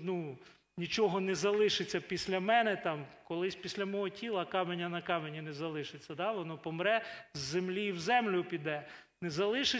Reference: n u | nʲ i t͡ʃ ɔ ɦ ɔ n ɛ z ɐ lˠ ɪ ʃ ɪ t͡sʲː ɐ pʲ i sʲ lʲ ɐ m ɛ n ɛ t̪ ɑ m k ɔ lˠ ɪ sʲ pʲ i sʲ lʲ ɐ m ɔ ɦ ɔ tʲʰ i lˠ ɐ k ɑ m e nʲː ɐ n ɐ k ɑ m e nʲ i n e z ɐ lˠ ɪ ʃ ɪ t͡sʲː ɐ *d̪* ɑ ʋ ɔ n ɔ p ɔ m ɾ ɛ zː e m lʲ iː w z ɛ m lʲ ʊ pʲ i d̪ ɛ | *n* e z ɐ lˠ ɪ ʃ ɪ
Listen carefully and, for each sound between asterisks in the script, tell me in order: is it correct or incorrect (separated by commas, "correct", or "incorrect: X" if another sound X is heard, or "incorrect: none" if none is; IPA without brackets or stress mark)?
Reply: correct, correct